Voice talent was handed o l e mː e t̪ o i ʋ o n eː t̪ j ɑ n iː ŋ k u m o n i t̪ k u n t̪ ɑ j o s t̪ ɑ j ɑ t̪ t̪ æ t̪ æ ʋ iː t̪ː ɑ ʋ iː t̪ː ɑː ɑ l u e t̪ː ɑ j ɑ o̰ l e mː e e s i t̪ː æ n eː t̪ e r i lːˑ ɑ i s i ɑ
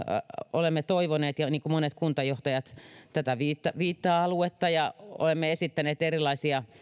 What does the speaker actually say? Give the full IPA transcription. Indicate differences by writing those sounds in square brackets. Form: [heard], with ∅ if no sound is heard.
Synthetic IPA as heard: o l e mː e t̪ o i ʋ o n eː t̪ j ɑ n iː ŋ k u m o n [e] t̪ k u n t̪ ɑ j o [h] t̪ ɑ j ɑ t̪ t̪ æ t̪ æ ʋ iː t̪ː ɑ ʋ iː t̪ː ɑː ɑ l u e t̪ː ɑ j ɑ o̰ l e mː e e s i t̪ː æ n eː t̪ e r i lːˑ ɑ i s i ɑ